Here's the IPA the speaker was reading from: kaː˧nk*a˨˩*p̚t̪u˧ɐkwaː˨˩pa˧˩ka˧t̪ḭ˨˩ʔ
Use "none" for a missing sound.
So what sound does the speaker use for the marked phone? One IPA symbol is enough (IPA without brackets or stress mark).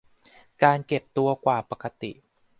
e˨˩